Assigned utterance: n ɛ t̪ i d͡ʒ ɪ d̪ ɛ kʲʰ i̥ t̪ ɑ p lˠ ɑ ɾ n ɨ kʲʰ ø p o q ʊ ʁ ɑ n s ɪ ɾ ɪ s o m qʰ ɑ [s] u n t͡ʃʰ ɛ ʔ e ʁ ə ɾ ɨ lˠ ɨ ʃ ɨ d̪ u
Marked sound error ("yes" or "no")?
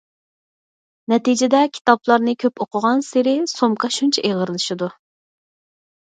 yes